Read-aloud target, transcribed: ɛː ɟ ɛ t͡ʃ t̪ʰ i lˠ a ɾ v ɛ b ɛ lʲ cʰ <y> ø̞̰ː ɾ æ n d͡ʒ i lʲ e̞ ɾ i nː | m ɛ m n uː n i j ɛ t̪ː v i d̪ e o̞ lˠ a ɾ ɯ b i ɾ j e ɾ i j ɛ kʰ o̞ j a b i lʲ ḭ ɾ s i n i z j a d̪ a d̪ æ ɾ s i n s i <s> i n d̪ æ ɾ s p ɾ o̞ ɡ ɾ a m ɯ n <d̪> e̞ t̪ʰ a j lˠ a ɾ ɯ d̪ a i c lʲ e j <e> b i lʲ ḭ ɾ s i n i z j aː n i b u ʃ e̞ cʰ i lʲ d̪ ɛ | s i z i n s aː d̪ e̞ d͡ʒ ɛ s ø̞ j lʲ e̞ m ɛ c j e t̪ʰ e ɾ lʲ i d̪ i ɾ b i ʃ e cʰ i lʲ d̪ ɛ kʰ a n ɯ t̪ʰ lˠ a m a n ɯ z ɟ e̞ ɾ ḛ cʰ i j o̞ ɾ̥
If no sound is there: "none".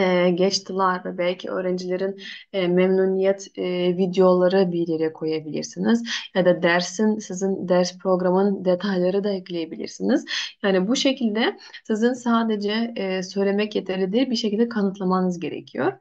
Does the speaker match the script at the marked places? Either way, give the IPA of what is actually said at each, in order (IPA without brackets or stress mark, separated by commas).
i, z, d̪, e